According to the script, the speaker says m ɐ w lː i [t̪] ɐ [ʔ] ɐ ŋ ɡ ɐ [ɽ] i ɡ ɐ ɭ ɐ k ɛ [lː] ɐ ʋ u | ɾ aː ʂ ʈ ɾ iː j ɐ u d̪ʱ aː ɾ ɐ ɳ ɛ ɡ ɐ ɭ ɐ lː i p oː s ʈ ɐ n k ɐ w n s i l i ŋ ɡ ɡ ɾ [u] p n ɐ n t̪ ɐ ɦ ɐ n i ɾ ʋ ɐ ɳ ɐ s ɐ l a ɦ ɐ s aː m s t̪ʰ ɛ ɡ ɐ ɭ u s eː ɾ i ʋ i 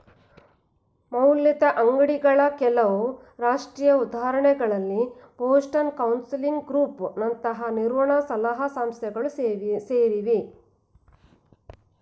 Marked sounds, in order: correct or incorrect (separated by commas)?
correct, correct, correct, incorrect, incorrect